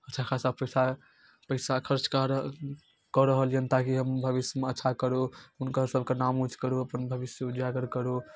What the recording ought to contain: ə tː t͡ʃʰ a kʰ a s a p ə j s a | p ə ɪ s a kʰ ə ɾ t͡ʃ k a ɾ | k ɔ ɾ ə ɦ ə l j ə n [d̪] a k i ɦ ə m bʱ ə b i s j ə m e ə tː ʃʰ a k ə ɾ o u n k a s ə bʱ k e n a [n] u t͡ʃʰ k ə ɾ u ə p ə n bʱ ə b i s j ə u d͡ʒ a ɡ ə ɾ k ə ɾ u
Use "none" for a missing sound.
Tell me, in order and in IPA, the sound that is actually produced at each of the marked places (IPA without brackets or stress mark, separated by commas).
t̪, m